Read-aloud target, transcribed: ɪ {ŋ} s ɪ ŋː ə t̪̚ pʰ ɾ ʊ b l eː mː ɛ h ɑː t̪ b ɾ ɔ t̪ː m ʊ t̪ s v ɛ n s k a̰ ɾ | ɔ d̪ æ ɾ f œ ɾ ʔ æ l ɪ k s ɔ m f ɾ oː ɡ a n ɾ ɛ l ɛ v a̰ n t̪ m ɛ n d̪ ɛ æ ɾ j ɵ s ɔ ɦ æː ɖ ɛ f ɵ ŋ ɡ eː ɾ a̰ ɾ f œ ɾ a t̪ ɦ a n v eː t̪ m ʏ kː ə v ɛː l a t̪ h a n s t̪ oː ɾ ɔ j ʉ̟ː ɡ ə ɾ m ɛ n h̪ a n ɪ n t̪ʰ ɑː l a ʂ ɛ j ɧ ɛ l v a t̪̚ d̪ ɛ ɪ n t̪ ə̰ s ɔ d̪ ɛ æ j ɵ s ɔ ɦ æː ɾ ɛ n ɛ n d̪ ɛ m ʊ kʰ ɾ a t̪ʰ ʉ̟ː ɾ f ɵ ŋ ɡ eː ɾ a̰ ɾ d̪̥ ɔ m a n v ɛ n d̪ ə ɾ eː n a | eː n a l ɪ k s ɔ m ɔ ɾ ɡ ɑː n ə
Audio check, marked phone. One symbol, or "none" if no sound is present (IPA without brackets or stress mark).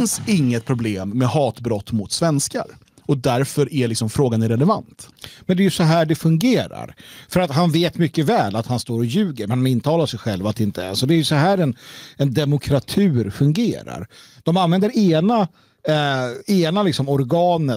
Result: n